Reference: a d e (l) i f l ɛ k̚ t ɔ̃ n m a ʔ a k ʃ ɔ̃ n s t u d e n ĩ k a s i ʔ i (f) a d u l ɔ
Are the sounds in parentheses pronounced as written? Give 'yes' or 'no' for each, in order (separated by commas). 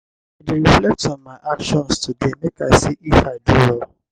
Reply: no, yes